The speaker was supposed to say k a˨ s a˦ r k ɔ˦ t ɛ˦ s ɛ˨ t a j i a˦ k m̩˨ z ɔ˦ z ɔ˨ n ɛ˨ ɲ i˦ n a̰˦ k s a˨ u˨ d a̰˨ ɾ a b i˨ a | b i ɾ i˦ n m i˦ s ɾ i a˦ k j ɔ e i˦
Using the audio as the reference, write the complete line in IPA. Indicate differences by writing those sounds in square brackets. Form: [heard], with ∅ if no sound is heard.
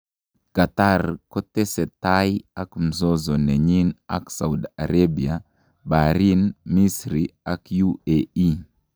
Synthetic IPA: k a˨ [t] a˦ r k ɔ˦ t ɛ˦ s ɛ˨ t a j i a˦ k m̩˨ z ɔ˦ z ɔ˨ n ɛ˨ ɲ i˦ n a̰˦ k s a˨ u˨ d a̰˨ ɾ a b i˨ a | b [a] ɾ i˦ n m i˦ s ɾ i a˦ k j [u] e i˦